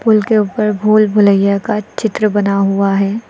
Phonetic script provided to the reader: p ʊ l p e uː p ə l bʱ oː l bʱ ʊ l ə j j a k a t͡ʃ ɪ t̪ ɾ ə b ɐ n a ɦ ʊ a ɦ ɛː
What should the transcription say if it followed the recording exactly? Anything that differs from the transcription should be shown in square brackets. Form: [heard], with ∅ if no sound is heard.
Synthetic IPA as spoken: p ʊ l [k] e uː p ə [ɾ] bʱ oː l bʱ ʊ l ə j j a k a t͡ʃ ɪ t̪ ɾ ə b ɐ n a ɦ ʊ a ɦ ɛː